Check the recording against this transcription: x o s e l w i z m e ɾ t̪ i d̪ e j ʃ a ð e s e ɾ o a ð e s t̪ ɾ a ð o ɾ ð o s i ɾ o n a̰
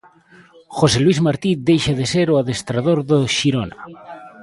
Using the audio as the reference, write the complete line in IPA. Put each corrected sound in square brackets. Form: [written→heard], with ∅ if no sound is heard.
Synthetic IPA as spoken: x o s e l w i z m [e→a] ɾ t̪ i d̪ e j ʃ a ð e s e ɾ o a ð e s t̪ ɾ a ð o ɾ ð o [s→ʃ] i ɾ o n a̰

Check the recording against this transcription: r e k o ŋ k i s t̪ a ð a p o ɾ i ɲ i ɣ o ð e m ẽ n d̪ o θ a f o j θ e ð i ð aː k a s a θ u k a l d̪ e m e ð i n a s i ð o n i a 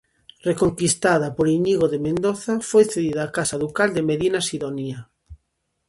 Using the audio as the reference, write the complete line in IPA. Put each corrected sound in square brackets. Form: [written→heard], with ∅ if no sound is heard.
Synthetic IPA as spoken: r e k o ŋ k i s t̪ a ð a p o ɾ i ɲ i ɣ o ð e m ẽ n d̪ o θ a f o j θ e ð i ð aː k a s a [θ→ð] u k a l d̪ e m e ð i n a s i ð o n i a

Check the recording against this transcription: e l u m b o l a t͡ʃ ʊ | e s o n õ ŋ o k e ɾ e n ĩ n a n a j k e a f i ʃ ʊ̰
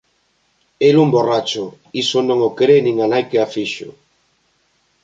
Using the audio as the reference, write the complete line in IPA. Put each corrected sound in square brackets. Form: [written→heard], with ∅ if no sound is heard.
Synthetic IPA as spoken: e l u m b o [l→r] a t͡ʃ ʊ | [e→i] s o n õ ŋ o k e ɾ e n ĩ [n→ŋ] a n a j k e a f i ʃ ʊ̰

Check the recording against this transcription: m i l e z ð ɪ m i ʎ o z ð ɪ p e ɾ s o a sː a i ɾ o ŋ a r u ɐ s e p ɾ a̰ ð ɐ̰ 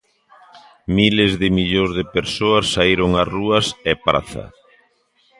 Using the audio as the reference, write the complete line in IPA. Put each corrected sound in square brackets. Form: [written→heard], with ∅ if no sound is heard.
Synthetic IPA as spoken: m i l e z ð ɪ m i ʎ o z ð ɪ p e ɾ s o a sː a i ɾ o ŋ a r u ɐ s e p ɾ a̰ [ð→θ] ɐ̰

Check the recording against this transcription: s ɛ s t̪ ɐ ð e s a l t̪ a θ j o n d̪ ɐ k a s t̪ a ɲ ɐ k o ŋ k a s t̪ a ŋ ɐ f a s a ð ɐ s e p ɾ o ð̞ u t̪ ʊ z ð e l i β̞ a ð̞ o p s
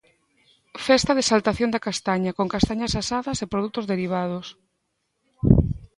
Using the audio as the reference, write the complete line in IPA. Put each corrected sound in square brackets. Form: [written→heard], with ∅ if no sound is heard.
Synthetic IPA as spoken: [s→f] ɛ s t̪ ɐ ð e s a l t̪ a θ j o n d̪ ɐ k a s t̪ a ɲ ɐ k o ŋ k a s t̪ a [ŋ→ɲ] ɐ [f→s] a s a ð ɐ s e p ɾ o ð̞ u t̪ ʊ z ð e [l→ɾ] i β̞ a ð̞ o [p→∅] s

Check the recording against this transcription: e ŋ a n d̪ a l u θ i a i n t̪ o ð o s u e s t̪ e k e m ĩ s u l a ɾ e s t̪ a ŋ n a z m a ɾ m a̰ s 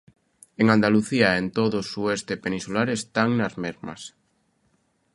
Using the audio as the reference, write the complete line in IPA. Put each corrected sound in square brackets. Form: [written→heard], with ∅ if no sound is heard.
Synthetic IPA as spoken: e ŋ a n d̪ a l u θ i a [i→e] n t̪ o ð o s u e s t̪ e [k→p] e [m→n] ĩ s u l a ɾ e s t̪ a ŋ n a z m [a→e] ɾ m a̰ s

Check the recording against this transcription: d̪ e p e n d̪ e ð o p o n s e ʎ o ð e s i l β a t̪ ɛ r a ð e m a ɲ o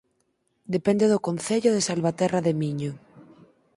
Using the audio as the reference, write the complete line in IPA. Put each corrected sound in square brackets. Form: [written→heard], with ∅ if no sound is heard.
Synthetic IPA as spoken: d̪ e p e n d̪ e ð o [p→k] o n [s→θ] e ʎ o ð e s [i→a] l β a t̪ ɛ r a ð e m [a→i] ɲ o

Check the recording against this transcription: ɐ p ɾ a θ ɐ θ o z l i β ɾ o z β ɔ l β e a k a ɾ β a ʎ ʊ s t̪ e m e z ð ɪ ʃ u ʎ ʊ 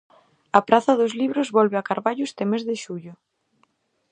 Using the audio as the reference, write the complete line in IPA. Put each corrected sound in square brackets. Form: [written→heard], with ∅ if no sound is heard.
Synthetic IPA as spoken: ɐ p ɾ a θ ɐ [θ→ð] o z l i β ɾ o z β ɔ l β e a k a ɾ β a ʎ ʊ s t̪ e m e z ð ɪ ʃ u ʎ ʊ

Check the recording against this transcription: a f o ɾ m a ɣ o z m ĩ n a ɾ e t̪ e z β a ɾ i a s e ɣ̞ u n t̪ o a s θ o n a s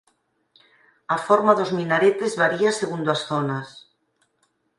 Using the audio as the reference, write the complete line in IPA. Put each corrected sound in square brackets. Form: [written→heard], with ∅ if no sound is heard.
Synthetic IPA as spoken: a f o ɾ m a [ɣ→ð] o z m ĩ n a ɾ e t̪ e z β a ɾ i a s e ɣ̞ u n [t̪→d̪] o a s θ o n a s

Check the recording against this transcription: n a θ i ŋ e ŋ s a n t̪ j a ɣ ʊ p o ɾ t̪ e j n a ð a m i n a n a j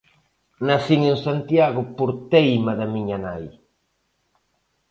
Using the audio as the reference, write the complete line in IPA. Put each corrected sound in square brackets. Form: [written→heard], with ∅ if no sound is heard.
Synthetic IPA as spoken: n a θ i ŋ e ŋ s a n t̪ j a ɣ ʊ p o ɾ t̪ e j [n→m] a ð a m i [n→ɲ] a n a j

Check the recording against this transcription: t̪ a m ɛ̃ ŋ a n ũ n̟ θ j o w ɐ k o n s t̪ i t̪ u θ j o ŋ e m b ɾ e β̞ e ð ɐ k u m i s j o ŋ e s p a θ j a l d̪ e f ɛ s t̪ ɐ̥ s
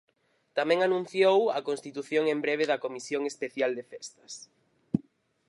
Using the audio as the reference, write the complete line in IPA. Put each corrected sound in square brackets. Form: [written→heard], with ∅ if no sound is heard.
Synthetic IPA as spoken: t̪ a m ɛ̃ ŋ a n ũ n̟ θ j o w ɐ k o n s t̪ i t̪ u θ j o ŋ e m b ɾ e β̞ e ð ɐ k [u→o] m i s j o ŋ e s p [a→e] θ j a l d̪ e f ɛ s t̪ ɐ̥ s

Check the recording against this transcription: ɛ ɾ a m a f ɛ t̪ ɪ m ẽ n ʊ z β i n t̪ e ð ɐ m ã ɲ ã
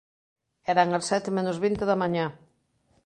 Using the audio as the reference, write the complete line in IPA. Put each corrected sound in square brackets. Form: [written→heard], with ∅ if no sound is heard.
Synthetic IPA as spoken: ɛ ɾ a [m→ŋ] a [f→s] ɛ t̪ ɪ m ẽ n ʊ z β i n t̪ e ð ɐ m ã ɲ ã

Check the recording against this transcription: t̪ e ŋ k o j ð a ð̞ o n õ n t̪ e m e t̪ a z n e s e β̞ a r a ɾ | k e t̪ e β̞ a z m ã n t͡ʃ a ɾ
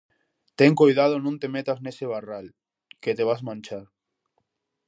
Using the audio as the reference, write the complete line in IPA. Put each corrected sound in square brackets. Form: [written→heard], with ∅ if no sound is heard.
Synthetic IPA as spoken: t̪ e ŋ k o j ð a ð̞ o n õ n t̪ e m e t̪ a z n e s e β̞ a r a [ɾ→l] | k e t̪ e β̞ a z m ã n t͡ʃ a ɾ

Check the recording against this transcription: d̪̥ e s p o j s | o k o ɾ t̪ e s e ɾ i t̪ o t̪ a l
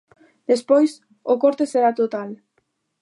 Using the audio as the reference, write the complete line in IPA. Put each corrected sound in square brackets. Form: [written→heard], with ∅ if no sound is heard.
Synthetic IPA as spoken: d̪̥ e s p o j s | o k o ɾ t̪ e s e ɾ [i→a] t̪ o t̪ a l

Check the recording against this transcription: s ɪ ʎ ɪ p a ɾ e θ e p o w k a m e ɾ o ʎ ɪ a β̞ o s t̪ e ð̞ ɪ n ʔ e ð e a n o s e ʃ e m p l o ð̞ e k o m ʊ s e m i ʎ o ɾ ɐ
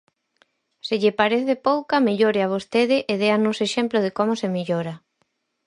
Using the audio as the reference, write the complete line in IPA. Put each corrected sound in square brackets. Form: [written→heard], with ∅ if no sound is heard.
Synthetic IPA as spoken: s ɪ ʎ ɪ p a ɾ e θ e p o w k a m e [ɾ→ʎ] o [ʎ→ɾ] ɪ a β̞ o s t̪ e ð̞ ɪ [n→∅] ʔ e ð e a n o s e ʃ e m p l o ð̞ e k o m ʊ s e m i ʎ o ɾ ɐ

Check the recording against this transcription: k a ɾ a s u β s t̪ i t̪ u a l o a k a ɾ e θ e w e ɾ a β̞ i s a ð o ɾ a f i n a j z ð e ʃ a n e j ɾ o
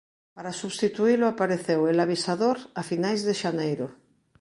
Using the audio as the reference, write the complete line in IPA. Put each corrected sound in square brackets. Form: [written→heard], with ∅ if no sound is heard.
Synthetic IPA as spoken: [k→p] a ɾ a s u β s t̪ i t̪ u [a→i] l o a [k→p] a ɾ e θ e w e [ɾ→l] a β̞ i s a ð o ɾ a f i n a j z ð e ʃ a n e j ɾ o

